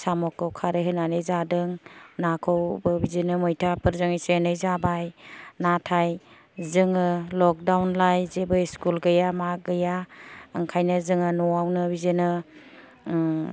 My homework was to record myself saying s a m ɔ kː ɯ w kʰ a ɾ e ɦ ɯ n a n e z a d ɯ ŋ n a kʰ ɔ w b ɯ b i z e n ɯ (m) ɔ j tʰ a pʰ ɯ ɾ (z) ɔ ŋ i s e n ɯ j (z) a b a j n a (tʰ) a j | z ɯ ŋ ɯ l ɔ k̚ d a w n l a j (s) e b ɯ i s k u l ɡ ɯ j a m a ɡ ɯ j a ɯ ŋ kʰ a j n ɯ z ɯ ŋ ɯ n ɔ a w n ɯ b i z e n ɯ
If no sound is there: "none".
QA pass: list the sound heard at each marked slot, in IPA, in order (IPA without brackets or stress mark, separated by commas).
m, z, z, tʰ, z